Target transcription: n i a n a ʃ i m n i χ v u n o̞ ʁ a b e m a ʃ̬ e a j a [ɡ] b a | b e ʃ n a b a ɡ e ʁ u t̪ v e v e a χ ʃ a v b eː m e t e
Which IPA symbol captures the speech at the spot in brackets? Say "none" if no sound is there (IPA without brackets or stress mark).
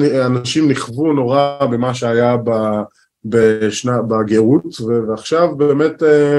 none